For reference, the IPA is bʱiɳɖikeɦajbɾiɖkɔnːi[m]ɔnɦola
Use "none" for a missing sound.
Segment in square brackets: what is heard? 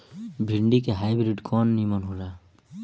m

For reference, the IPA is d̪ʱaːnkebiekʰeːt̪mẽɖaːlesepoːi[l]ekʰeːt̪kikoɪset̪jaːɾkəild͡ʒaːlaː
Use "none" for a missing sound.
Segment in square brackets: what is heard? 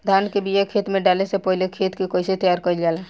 l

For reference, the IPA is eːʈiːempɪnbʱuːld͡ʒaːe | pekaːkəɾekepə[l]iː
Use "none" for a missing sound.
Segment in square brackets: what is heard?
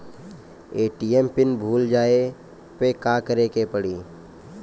ɽ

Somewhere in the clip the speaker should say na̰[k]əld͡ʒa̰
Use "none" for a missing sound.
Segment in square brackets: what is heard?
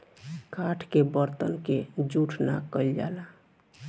k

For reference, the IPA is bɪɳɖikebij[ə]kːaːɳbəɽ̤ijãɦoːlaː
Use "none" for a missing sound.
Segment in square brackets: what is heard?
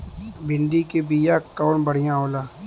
a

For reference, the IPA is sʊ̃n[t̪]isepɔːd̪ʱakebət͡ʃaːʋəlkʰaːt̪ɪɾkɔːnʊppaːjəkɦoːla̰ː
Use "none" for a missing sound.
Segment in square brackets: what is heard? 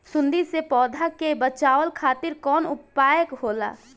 d̪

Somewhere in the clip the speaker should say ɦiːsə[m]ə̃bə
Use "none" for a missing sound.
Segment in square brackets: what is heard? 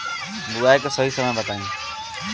m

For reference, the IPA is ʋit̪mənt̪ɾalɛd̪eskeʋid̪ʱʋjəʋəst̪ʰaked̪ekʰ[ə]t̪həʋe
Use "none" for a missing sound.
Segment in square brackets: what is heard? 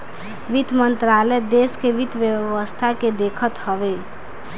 ə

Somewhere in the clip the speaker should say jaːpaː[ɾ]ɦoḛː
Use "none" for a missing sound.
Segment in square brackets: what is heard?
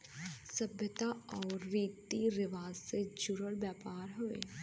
ɾ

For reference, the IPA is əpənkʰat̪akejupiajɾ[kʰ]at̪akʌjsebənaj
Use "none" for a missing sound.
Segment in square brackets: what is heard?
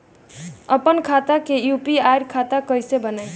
kʰ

